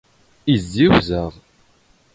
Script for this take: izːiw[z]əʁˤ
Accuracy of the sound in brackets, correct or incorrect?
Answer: correct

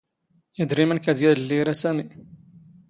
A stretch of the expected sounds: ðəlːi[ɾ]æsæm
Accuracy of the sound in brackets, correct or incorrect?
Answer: correct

